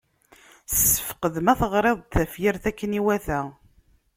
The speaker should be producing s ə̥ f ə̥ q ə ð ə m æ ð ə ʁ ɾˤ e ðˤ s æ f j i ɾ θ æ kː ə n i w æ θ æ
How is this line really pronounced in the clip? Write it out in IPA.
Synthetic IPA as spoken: s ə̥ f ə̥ q ə ð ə m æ θ ə ʁ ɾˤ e ðˤ θ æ f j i ɾ θ æ kː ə n i w æ θ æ